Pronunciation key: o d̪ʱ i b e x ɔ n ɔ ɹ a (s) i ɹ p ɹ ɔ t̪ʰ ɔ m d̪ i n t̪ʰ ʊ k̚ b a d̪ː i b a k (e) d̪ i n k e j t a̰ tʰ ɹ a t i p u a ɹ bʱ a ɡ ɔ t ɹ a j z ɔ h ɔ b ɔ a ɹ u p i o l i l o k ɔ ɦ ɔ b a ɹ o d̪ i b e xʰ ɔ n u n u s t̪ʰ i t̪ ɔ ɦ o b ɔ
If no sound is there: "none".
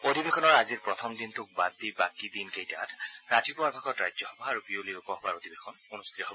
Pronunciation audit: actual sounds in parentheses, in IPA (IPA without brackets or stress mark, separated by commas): z, i